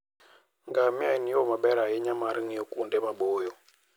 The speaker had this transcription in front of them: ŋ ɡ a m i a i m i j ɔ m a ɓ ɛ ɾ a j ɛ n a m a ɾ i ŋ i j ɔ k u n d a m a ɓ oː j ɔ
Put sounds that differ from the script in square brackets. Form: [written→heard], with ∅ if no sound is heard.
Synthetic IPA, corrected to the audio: ŋ ɡ a m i a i [m→n] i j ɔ m a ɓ ɛ ɾ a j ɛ [n→ɲ] a m a ɾ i ŋ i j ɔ k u n d [a→ɛ] m a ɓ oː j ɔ